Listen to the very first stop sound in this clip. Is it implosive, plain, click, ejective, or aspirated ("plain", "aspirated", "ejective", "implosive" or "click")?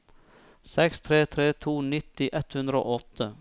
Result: plain